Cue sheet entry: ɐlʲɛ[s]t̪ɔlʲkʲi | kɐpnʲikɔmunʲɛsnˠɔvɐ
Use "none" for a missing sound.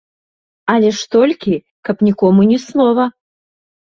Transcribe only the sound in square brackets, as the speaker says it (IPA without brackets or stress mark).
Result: ʂ